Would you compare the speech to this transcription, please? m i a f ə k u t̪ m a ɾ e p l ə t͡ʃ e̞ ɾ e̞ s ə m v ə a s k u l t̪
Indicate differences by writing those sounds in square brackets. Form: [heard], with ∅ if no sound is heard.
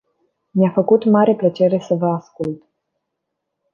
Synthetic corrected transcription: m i a f ə k u t̪ m a ɾ e p l ə t͡ʃ e̞ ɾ e̞ s ə [∅] v ə a s k u l t̪